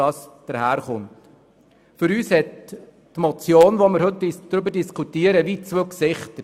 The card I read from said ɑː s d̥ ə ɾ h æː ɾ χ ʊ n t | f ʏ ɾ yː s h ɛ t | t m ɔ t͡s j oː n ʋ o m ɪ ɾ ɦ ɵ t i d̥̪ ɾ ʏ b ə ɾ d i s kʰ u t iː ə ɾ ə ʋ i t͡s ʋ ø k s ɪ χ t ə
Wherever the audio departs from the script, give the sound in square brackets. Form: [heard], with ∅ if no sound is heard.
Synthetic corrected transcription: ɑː s d̥ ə ɾ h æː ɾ χ ʊ n t | f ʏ ɾ yː s h ɛ t | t m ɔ t͡s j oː n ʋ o m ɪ ɾ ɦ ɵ t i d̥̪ ɾ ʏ b ə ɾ d i s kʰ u t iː ə ɾ ə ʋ i t͡s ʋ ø k s ɪ χ t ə

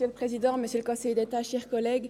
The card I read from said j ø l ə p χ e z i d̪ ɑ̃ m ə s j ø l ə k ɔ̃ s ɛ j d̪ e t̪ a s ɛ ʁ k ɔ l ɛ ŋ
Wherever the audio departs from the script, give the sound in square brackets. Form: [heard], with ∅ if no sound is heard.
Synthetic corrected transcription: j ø l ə p χ e z i d̪ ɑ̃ m ə s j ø l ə k ɔ̃ s ɛ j d̪ e t̪ a [ʃ] ɛ ʁ k ɔ l ɛ [ɡ]

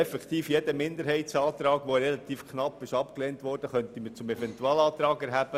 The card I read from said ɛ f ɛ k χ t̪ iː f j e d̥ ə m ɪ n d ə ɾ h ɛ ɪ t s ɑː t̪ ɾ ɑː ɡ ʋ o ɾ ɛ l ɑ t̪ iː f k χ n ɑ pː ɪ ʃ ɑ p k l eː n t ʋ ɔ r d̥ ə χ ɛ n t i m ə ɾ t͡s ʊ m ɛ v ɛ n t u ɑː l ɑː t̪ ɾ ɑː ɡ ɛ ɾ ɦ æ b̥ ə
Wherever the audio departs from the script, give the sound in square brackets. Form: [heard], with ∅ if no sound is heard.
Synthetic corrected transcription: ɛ f ɛ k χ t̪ iː f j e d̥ ə m ɪ n d ə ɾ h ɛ ɪ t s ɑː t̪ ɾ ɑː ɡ ʋ o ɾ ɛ l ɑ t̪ iː f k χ n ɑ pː ɪ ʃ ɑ p k l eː n t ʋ ɔ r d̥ ə χ [œ] n t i m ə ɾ t͡s ʊ m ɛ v ɛ n t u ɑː l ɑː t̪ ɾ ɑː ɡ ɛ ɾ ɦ æ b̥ ə

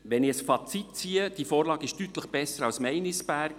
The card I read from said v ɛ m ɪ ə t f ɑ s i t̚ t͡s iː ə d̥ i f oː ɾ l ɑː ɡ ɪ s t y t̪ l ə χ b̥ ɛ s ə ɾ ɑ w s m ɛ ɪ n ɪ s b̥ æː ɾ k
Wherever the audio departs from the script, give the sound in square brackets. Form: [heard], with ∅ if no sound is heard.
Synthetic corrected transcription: [ʋ] ɛ [n] ɪ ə [s] f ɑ [t͡s] i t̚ t͡s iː ə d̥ i f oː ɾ l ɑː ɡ ɪ [ʃ] t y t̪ l ə χ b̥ ɛ s ə ɾ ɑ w s m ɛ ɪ n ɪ s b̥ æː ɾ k

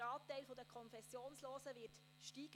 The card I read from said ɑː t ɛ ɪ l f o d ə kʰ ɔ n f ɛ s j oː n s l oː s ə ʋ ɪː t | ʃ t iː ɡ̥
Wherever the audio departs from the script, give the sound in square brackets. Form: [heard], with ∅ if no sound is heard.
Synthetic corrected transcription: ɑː t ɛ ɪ l f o d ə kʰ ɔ n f ɛ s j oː n s l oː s ə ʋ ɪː t | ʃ t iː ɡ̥

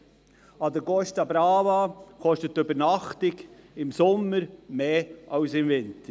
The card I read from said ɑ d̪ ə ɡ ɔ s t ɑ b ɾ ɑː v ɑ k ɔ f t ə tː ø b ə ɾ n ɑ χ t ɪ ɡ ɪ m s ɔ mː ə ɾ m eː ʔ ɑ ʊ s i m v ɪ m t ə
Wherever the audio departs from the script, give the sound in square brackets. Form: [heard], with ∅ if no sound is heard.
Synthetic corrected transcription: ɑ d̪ ə ɡ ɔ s t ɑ b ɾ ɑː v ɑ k ɔ [ʃ] t ə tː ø b ə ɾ n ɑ χ t ɪ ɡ ɪ m s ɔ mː ə ɾ m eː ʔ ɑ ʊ s [ɪ] m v ɪ [n] t ə

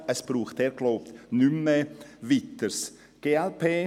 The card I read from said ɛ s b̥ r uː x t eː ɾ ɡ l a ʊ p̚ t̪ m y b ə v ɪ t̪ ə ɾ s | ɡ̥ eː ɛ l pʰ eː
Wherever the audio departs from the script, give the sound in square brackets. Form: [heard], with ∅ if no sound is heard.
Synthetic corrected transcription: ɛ s b̥ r uː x t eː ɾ ɡ l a ʊ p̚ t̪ [n] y [m] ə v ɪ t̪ ə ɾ s | ɡ̥ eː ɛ l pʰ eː

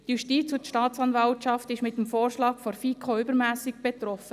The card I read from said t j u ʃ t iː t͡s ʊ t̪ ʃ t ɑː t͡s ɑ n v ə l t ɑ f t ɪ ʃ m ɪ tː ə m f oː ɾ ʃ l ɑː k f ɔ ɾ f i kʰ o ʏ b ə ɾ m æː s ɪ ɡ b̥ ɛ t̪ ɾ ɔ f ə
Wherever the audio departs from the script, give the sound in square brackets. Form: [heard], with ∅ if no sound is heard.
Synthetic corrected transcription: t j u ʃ t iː t͡s ʊ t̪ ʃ t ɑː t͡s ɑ n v [ɑ] l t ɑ f t ɪ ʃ m ɪ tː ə m f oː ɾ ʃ l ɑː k f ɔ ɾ f i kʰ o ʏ b ə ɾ m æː s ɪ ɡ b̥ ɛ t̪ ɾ ɔ f ə

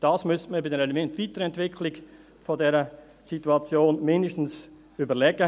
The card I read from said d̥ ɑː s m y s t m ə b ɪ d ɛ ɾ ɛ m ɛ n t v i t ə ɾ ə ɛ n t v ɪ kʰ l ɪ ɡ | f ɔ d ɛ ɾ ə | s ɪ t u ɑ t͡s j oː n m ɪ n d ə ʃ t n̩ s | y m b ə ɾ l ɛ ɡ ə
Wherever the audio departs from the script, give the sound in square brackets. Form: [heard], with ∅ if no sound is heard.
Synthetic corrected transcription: d̥ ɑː s m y s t m ə b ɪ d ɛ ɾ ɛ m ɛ n t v i t ə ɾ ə ɛ n t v ɪ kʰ l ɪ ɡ | f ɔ d ɛ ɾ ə | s [i] t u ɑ t͡s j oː n m ɪ n d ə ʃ t n̩ s | y [∅] b ə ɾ l ɛ ɡ ə

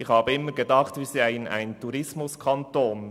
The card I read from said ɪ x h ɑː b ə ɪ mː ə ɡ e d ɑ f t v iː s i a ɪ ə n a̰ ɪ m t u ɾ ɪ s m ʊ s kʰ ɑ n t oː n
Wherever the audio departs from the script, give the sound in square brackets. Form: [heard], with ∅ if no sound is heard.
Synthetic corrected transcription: ɪ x h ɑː b ə ɪ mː ə ɡ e d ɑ [χ] t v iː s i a ɪ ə n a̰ ɪ [n] t u ɾ ɪ s m ʊ s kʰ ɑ n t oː n

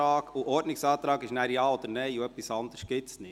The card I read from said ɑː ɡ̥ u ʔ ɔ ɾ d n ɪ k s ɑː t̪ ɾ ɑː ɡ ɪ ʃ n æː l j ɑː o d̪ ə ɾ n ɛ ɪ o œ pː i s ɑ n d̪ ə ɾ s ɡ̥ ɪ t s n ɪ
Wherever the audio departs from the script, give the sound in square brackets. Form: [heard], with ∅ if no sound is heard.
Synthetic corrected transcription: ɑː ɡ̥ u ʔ ɔ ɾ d n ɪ k s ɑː t̪ ɾ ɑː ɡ ɪ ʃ n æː [ɾ] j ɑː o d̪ ə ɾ n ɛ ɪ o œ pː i s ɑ n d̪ ə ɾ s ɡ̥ ɪ t s n ɪ

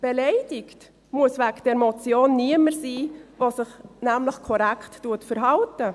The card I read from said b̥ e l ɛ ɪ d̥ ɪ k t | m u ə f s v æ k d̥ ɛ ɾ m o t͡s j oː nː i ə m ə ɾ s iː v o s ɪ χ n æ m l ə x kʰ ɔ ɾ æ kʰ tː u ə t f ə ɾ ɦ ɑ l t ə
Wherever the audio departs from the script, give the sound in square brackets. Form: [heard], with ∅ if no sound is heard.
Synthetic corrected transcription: b̥ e l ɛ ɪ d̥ ɪ k t | m u ə [∅] s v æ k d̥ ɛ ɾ m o t͡s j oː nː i ə m ə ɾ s iː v o s ɪ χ n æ m l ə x kʰ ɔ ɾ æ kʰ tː u ə t f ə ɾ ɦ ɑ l t ə

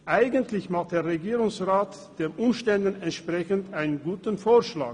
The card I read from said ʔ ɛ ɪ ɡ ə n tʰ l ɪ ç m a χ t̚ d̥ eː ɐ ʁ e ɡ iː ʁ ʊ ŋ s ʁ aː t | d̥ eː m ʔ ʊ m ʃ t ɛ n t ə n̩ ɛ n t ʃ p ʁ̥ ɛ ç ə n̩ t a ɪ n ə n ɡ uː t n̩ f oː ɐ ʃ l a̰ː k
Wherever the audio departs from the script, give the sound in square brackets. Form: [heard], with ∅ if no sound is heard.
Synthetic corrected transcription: ʔ [a] ɪ ɡ ə n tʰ l ɪ ç m a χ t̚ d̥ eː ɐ ʁ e ɡ iː ʁ ʊ ŋ s ʁ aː t | d̥ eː m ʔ ʊ m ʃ t ɛ n [d] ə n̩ ɛ n t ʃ p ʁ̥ ɛ ç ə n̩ t a ɪ n ə n ɡ uː t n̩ f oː ɐ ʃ l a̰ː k

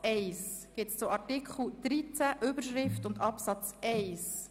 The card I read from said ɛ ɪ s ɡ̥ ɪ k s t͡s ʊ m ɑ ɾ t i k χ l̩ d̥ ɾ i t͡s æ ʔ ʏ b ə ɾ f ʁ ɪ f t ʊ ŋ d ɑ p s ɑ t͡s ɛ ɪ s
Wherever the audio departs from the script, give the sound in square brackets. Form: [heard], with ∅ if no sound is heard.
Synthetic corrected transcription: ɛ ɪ s ɡ̥ ɪ [t] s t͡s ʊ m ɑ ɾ t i k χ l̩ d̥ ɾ i t͡s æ ʔ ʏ b ə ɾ [ʃ] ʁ ɪ f t ʊ [n] d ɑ p s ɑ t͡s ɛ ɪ s

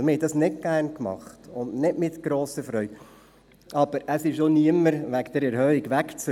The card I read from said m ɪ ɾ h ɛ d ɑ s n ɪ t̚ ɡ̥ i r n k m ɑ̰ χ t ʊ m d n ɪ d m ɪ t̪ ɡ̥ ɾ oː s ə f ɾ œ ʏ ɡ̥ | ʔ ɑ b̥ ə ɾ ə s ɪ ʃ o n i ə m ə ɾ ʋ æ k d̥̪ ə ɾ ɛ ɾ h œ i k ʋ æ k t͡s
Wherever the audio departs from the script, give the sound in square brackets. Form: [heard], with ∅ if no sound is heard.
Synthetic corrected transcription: m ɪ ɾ h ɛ d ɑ s n ɪ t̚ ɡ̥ [æ] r n k m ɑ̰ χ t ʊ [n] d n ɪ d m ɪ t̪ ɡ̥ ɾ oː s ə f ɾ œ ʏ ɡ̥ | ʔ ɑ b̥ ə ɾ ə s ɪ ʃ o n i ə m ə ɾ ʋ æ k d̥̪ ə ɾ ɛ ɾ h œ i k ʋ æ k t͡s

